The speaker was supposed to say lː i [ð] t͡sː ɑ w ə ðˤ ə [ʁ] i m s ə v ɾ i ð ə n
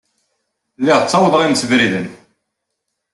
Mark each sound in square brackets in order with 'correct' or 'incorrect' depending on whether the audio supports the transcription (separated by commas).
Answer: incorrect, correct